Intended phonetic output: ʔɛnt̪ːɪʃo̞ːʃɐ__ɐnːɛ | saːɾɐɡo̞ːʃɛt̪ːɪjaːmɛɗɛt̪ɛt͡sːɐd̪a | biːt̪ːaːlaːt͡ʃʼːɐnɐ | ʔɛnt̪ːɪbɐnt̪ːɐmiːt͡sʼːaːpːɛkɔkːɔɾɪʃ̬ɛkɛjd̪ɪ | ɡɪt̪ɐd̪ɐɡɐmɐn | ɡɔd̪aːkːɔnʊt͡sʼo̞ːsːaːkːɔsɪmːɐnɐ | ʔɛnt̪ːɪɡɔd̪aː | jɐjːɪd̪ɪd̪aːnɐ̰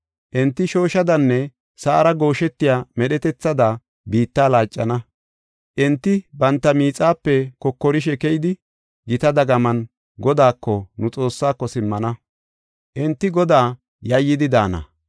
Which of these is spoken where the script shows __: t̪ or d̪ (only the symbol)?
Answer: d̪